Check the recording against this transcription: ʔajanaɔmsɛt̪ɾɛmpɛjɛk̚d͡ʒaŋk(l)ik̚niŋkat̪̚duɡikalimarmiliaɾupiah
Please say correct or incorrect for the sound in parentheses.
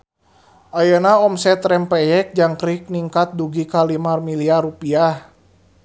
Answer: incorrect